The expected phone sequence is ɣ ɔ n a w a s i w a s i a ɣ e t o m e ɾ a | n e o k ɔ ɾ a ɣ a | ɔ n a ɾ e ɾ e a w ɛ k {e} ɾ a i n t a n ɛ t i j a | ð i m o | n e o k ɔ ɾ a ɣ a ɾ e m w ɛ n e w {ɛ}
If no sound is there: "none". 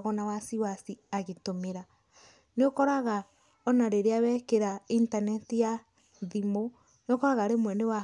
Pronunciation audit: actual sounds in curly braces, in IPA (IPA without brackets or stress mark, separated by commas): e, a